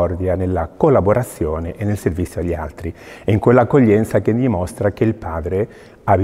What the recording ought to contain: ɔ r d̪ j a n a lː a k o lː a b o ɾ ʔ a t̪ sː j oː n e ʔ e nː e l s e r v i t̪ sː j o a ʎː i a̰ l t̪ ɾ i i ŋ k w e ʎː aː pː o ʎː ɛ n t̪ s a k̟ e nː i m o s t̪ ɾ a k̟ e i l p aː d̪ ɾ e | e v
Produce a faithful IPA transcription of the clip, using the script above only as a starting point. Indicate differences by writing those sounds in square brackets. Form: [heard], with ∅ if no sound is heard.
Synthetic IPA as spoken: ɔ r d̪ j a n [e] lː a k o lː a b o ɾ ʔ a t̪ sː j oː n e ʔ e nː e l s e r v i t̪ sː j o a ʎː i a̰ l t̪ ɾ i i ŋ k w e [lː] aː [kː] o ʎː ɛ n t̪ s a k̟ e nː i m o s t̪ ɾ a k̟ e i l p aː d̪ ɾ e | [a] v